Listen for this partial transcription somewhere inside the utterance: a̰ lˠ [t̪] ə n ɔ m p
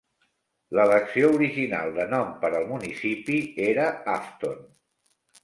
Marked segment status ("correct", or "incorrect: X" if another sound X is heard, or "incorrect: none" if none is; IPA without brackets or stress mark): incorrect: d̪